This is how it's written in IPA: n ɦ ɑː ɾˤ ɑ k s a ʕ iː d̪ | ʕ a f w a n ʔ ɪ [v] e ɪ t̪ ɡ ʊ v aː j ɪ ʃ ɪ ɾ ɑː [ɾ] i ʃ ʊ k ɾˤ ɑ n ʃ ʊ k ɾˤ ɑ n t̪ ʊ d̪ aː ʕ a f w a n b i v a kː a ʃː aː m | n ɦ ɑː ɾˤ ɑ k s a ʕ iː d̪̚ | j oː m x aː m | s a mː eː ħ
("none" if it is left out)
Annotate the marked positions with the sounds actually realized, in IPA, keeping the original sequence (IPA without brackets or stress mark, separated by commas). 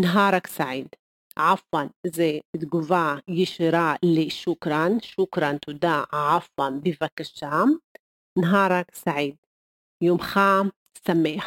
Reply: z, l